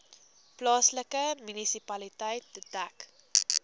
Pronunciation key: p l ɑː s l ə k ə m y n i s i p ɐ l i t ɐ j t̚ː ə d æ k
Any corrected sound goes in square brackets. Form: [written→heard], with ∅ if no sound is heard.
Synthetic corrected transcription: p l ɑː s l ə k ə m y n i s i p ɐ l i t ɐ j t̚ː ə d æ k